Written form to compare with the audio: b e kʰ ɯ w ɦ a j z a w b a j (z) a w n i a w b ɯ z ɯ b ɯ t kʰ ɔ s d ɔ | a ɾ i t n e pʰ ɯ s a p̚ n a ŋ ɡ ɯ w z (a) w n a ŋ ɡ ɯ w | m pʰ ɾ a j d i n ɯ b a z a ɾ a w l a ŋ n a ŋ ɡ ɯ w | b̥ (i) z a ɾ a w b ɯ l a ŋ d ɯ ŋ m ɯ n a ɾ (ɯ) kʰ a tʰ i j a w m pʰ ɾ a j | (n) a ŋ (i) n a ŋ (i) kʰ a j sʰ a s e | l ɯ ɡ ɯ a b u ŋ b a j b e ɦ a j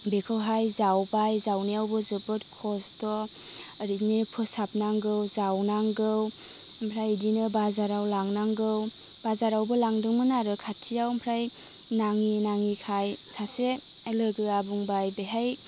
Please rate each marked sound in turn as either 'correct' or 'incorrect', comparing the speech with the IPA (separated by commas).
correct, correct, incorrect, correct, correct, correct, correct